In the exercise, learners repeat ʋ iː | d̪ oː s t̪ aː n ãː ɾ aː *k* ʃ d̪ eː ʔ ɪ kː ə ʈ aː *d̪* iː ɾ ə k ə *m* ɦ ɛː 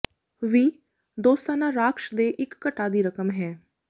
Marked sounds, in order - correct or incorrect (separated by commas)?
correct, correct, correct